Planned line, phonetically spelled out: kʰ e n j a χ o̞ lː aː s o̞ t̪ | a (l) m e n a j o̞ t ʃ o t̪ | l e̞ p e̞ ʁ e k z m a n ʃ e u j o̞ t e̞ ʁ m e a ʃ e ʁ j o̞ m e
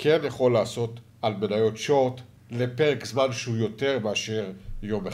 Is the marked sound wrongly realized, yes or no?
no